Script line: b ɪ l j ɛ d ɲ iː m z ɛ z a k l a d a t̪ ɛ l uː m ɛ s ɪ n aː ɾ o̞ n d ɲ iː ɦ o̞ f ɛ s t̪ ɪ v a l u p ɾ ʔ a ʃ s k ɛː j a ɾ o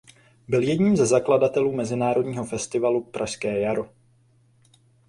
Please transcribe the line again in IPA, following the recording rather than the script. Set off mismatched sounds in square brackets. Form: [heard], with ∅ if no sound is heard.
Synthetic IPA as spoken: b ɪ l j ɛ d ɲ iː m z ɛ z a k l a d a t̪ ɛ l uː m ɛ [z] ɪ n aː ɾ o̞ [∅] d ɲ iː ɦ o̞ f ɛ s t̪ ɪ v a l u p ɾ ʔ a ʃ s k ɛː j a ɾ o

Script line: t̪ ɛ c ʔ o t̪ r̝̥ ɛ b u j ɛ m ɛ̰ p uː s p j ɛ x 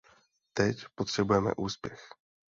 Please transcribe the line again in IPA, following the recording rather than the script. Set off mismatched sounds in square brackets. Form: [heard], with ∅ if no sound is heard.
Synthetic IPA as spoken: t̪ ɛ c [p] o t̪ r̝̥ ɛ b u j ɛ m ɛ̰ [ʔ] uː s p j ɛ x

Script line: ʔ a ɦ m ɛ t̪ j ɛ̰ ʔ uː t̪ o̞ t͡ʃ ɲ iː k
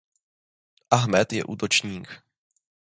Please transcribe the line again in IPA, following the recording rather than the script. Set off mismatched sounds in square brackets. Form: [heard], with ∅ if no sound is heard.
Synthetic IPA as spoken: ʔ a ɦ m ɛ t̪ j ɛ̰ ʔ uː t̪ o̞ t͡ʃ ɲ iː k

